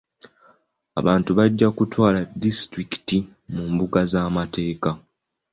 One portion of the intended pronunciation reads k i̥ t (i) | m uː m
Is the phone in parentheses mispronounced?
no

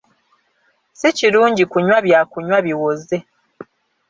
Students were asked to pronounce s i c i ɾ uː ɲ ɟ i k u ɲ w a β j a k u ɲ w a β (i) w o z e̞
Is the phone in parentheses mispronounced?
no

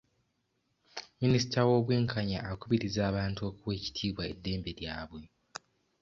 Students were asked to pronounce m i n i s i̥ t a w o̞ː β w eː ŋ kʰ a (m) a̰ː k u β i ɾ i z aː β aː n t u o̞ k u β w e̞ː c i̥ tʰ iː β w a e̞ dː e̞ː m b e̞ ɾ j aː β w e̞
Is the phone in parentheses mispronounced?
yes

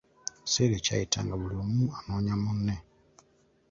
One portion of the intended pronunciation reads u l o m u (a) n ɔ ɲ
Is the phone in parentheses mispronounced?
no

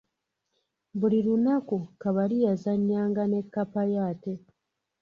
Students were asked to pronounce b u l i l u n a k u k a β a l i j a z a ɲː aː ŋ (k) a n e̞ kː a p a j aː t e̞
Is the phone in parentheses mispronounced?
yes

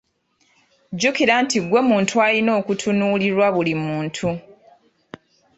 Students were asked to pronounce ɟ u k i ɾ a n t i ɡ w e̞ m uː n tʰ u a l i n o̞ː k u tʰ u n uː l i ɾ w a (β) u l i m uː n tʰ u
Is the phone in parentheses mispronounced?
no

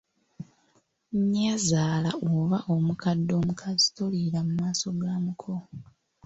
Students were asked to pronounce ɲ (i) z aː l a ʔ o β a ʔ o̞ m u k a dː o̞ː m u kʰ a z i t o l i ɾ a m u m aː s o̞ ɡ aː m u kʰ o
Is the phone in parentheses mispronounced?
yes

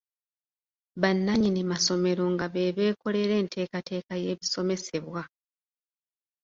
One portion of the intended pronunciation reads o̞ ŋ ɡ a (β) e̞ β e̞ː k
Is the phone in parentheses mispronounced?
no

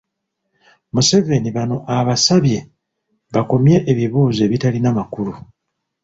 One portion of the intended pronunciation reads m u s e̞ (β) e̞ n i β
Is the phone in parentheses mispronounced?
yes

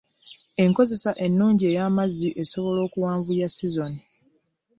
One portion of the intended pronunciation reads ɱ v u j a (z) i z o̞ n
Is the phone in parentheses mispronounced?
yes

